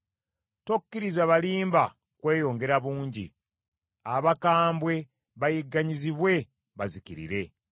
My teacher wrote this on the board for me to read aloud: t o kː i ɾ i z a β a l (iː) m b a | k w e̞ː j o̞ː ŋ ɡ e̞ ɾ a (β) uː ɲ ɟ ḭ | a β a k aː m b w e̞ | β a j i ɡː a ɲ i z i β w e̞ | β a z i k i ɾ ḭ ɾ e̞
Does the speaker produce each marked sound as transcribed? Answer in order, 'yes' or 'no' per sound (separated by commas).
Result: yes, yes